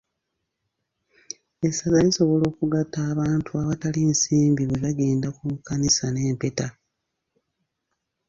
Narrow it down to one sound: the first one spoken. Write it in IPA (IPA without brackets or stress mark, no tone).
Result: e̞